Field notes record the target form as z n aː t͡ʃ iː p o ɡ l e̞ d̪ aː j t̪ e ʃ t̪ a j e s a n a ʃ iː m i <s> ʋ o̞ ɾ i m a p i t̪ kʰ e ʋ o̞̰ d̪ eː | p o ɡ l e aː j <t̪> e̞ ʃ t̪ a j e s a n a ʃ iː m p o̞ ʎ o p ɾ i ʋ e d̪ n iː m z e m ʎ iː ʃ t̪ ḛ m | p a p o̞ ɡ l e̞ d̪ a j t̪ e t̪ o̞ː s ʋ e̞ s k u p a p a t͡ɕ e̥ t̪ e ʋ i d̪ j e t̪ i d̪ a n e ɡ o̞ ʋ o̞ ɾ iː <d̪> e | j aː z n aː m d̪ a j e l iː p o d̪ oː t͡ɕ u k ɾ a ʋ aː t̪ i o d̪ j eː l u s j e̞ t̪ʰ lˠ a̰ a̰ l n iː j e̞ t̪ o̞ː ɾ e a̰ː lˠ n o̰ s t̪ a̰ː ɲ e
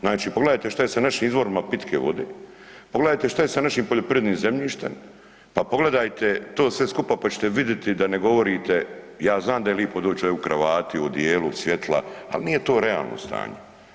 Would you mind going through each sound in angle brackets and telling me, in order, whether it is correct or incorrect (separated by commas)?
incorrect, correct, incorrect